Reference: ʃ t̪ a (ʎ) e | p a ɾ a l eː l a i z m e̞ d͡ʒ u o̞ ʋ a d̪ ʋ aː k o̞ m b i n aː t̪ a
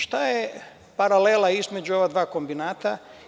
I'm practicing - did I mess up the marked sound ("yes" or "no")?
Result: yes